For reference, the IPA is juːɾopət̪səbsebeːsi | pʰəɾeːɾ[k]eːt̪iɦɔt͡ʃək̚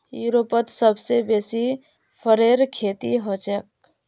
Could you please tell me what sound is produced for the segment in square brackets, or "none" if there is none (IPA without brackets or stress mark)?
kʰ